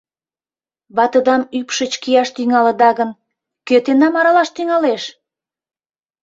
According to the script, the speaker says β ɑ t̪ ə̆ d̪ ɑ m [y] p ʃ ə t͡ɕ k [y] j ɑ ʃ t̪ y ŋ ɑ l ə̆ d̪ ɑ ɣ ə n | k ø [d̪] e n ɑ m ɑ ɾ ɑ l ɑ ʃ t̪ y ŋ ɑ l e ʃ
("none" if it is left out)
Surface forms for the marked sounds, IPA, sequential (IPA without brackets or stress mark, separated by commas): y, i, t̪